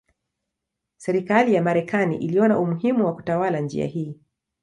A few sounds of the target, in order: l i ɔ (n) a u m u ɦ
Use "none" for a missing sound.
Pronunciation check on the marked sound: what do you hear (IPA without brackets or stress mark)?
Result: n